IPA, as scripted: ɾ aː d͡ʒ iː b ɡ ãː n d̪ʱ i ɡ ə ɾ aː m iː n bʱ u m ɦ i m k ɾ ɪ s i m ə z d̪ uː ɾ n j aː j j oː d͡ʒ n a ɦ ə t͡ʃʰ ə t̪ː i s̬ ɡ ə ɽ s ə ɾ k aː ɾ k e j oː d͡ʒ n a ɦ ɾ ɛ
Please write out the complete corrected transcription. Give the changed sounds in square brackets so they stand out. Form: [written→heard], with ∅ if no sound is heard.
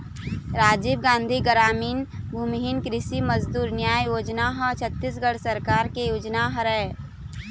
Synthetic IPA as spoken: ɾ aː d͡ʒ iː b ɡ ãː n d̪ʱ i ɡ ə ɾ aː m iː n bʱ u m ɦ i [m→n] k ɾ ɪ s i m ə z d̪ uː ɾ n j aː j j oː d͡ʒ n a ɦ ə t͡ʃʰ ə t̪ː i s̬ ɡ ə ɽ s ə ɾ k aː ɾ k e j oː d͡ʒ n a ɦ ɾ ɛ